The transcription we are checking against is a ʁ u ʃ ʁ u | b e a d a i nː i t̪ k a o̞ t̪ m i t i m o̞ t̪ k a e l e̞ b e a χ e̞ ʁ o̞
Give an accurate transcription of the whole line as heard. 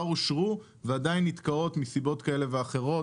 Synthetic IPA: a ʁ u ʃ ʁ u | v e a d a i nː i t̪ k a o̞ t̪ m i s i b o̞ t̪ k a e l e̞ v e a χ e̞ ʁ o̞